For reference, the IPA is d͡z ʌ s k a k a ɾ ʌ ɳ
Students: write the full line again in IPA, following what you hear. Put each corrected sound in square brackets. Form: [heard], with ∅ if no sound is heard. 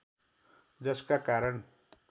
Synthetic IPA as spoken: d͡z ʌ s k a k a ɾ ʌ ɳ